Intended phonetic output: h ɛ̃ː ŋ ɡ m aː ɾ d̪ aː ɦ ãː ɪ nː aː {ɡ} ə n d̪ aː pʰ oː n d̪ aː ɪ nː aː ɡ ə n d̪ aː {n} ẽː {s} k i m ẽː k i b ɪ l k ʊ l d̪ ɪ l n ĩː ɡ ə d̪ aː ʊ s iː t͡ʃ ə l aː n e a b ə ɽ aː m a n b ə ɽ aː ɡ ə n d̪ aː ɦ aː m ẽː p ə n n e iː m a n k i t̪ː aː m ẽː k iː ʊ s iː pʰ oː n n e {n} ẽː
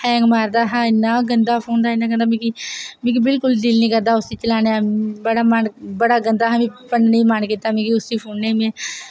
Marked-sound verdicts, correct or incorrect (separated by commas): correct, incorrect, incorrect, incorrect